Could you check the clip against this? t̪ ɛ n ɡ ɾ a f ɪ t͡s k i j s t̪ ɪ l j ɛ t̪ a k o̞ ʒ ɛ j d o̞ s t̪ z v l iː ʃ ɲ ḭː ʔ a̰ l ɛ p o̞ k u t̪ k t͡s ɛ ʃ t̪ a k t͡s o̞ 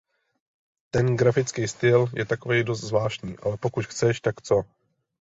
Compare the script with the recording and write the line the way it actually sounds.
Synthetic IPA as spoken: t̪ ɛ n ɡ ɾ a f ɪ t͡s k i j s t̪ ɪ l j ɛ t̪ a k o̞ v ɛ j d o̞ s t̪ z v l aː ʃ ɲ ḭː ʔ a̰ l ɛ p o̞ k u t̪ x t͡s ɛ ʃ t̪ a k t͡s o̞